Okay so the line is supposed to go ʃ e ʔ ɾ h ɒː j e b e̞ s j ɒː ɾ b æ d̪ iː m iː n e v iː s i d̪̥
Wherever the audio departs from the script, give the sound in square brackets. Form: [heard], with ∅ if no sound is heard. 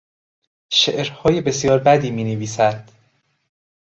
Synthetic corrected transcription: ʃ e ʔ ɾ h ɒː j e b e̞ s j ɒː ɾ b æ d̪ iː m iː n e v iː s [æ] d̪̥